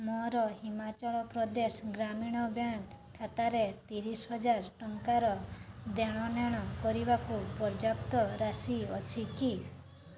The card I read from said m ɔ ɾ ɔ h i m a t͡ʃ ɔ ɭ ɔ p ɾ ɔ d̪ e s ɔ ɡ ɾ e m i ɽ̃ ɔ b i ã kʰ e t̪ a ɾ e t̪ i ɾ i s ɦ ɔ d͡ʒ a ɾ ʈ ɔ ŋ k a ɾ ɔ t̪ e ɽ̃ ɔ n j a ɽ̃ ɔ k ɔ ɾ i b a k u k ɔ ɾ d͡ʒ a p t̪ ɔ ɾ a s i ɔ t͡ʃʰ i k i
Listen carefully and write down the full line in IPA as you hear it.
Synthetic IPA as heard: m ɔ ɾ ɔ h i m a t͡ʃ ɔ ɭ ɔ p ɾ ɔ d̪ e s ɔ ɡ ɾ a m i ɽ̃ ɔ b j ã kʰ a t̪ a ɾ e t̪ i ɾ i s ɦ ɔ d͡ʒ a ɾ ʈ ɔ ŋ k a ɾ ɔ d̪ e ɽ̃ ɔ n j a ɽ̃ ɔ k ɔ ɾ i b a k u p ɔ ɾ d͡ʒ a p t̪ ɔ ɾ a s i ɔ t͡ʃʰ i k i

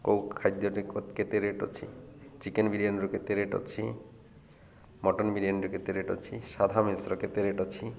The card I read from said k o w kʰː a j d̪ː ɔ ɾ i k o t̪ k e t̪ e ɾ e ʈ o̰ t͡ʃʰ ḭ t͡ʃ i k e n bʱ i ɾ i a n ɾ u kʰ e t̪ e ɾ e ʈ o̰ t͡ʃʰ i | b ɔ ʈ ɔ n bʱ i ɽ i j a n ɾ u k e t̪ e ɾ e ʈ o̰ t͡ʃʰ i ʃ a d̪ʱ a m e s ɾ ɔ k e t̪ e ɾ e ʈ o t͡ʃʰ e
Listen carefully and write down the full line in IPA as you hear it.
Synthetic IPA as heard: k o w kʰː a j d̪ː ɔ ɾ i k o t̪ k e t̪ e ɾ e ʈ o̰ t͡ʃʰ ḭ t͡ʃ i k e n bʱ i ɾ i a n ɾ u k e t̪ e ɾ e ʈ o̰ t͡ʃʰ i | m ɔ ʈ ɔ n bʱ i ɾ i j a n ɾ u k e t̪ e ɾ e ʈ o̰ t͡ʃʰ i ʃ a d̪ʱ a m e s ɾ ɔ k e t̪ e ɾ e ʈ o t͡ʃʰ i

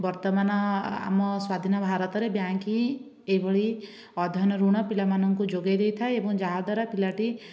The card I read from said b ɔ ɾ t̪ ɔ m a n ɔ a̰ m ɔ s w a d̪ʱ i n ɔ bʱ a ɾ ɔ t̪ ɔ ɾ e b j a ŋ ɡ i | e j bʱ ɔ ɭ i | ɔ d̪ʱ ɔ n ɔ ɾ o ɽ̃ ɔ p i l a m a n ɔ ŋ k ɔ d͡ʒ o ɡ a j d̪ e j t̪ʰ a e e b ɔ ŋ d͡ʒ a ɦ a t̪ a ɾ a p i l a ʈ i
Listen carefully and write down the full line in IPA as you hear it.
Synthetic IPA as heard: b ɔ ɾ t̪ ɔ m a n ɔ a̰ m ɔ s w a d̪ʱ i n ɔ bʱ a ɾ ɔ t̪ ɔ ɾ e b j a ŋ k i | e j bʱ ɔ ɭ i | ɔ d̪ʱ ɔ n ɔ ɾ u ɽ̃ ɔ p i l a m a n ɔ ŋ k u d͡ʒ o ɡ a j d̪ e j t̪ʰ a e e b ɔ ŋ d͡ʒ a ɦ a d̪ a ɾ a p i l a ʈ i

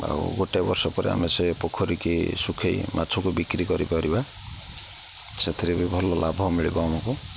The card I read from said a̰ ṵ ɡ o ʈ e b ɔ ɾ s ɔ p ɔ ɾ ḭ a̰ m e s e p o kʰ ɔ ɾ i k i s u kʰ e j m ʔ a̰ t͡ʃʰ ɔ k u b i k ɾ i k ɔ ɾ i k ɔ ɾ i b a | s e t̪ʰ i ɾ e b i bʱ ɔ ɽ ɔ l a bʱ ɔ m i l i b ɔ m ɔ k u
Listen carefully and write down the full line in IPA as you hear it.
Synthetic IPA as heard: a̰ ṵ ɡ o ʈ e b ɔ ɾ s ɔ p ɔ ɾ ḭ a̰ m e s e p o kʰ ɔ ɾ i k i s u kʰ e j m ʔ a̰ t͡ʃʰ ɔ k u b i k ɾ i k ɔ ɾ i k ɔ ɾ i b a | s e t̪ʰ i ɾ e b i bʱ ɔ l ɔ l a bʱ ɔ m i ɭ i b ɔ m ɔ k u

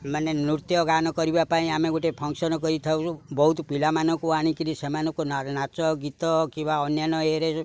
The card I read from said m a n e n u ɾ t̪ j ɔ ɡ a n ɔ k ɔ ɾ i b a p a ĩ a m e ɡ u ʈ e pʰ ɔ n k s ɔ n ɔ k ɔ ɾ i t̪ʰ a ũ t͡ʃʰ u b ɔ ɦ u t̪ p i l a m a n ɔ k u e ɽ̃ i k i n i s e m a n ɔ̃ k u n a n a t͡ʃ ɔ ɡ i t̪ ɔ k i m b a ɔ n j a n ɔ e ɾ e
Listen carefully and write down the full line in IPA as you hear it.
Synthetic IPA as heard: m a n e n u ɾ t̪ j ɔ ɡ a n ɔ k ɔ ɾ i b a p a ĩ a m e ɡ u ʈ e pʰ ɔ ŋ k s ɔ n ɔ k ɔ ɾ i t̪ʰ a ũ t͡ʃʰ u b ɔ ɦ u t̪ p i l a m a n ɔ k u a ɽ̃ i k i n i s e m a n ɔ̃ k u n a n a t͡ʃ ɔ ɡ i t̪ ɔ k i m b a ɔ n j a n ɔ e ɾ e

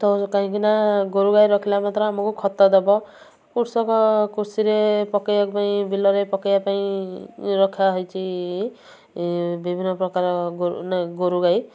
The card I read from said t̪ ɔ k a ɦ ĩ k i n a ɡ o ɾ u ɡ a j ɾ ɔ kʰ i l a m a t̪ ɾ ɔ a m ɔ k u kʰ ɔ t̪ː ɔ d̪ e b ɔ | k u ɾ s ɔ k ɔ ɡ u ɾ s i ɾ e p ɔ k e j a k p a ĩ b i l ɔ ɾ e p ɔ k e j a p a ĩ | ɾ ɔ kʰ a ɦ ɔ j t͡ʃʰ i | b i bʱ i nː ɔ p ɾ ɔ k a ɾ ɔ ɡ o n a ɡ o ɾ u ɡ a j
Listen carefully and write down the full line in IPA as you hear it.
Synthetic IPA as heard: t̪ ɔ k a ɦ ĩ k i n a ɡ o ɾ u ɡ a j ɾ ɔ kʰ i l a m a t̪ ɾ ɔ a m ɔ k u kʰ ɔ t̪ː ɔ d̪ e b ɔ | k u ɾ s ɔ k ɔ k u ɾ s i ɾ e p ɔ k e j a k p a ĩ b i l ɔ ɾ e p ɔ k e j a p a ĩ | ɾ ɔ kʰ a ɦ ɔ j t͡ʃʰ i | b i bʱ i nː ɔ p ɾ ɔ k a ɾ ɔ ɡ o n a ɡ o ɾ u ɡ a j

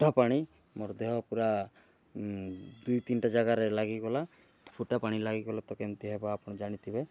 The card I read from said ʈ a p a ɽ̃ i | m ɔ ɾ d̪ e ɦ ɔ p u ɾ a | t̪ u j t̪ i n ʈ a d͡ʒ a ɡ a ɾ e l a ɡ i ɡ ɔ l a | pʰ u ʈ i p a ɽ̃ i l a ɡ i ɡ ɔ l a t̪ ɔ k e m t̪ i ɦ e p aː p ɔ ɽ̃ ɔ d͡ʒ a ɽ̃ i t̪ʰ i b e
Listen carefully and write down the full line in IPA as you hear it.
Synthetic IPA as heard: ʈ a p a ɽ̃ i | m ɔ ɾ d̪ e ɦ ɔ p u ɾ a | d̪ u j t̪ i n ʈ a d͡ʒ a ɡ a ɾ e l a ɡ i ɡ ɔ l a | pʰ u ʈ a p a ɽ̃ i l a ɡ i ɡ ɔ l a t̪ ɔ k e m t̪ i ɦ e b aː p ɔ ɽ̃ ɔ d͡ʒ a ɽ̃ i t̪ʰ i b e

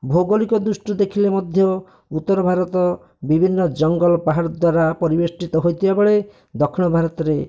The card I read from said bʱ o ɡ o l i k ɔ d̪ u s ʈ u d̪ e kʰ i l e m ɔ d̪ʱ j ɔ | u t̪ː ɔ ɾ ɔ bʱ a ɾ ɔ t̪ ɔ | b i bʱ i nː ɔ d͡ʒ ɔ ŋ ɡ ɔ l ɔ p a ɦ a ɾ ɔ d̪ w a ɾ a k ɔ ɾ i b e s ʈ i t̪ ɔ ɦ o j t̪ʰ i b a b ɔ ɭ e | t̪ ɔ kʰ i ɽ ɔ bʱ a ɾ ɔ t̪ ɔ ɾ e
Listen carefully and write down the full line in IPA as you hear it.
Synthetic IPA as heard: bʱ o ɡ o l i k ɔ d̪ u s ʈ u d̪ e kʰ i l e m ɔ d̪ʱ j ɔ | u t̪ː ɔ ɾ ɔ bʱ a ɾ ɔ t̪ ɔ | b i bʱ i nː ɔ d͡ʒ ɔ ŋ ɡ ɔ l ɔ p a ɦ a ɾ ɔ d̪ w a ɾ a p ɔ ɾ i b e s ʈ i t̪ ɔ ɦ o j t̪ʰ i b a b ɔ ɭ e | d̪ ɔ kʰ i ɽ ɔ bʱ a ɾ ɔ t̪ ɔ ɾ e

